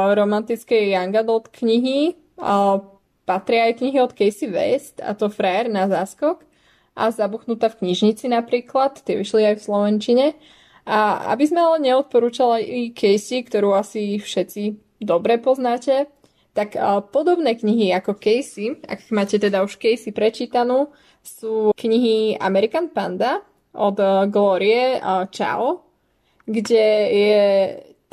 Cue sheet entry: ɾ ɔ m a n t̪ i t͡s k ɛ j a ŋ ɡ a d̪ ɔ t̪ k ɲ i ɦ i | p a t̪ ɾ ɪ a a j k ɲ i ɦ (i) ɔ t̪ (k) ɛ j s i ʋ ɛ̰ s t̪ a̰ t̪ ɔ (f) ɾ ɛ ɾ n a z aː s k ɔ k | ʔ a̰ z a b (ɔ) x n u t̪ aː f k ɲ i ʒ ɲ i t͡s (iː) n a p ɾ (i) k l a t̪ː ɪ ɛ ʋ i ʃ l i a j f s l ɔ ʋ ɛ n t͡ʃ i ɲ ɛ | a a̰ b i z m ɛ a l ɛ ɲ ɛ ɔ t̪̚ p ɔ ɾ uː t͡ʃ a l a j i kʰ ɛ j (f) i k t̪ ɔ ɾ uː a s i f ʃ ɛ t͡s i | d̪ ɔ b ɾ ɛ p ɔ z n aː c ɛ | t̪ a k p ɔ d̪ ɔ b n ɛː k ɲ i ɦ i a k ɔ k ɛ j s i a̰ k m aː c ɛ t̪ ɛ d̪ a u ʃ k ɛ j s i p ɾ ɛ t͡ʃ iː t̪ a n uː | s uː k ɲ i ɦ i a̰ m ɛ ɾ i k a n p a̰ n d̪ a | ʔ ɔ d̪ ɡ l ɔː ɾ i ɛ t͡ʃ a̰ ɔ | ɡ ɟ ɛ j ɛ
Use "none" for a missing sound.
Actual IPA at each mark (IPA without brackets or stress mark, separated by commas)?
i, k, f, u, i, iː, s